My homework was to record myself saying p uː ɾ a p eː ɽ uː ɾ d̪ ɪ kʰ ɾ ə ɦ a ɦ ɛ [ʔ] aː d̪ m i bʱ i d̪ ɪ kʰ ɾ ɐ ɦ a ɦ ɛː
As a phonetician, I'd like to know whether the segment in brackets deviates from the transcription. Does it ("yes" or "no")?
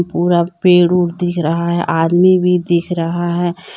no